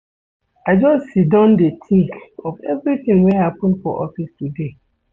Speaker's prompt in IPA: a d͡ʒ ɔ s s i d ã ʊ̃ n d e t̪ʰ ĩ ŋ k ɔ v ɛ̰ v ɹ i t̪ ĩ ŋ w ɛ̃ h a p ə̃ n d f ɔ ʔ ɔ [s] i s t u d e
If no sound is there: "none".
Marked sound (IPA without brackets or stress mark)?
f